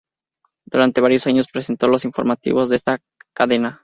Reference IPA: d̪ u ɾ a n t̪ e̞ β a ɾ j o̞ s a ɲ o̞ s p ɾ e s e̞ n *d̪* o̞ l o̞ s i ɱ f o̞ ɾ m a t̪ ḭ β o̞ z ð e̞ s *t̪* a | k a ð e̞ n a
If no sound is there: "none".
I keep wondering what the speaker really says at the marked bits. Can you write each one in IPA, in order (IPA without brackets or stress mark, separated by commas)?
t̪, t̪